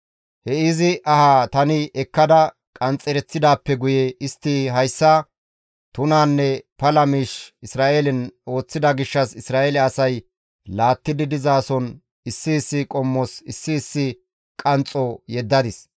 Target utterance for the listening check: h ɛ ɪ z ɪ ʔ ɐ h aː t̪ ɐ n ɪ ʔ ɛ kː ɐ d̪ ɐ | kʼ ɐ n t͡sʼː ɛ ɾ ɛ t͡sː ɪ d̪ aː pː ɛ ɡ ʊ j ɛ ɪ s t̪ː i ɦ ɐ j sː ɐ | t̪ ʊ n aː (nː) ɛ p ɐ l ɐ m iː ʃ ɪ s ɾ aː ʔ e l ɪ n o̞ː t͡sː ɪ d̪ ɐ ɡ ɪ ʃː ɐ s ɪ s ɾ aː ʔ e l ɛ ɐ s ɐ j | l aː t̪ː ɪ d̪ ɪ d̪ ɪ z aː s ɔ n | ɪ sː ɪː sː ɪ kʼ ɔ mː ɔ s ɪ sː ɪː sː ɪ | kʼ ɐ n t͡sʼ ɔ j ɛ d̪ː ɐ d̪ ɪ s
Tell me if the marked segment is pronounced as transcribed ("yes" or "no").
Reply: yes